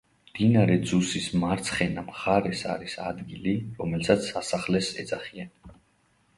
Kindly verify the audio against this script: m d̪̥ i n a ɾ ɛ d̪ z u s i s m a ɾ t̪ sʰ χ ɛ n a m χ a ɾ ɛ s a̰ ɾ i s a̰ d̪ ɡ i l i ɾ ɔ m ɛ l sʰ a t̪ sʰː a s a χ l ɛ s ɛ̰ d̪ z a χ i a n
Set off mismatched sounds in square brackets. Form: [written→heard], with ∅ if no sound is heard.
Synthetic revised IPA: m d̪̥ i n a ɾ ɛ d̪ z u s i s m a ɾ t̪ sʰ χ ɛ n a m χ a ɾ ɛ s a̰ ɾ i s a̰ d̪ ɡ i l i ɾ ɔ m ɛ l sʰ a t̪ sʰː a s a χ l ɛ s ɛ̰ d̪ z a χ i a n